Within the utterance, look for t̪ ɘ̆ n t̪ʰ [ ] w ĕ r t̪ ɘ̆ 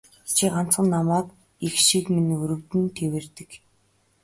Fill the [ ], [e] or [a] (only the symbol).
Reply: e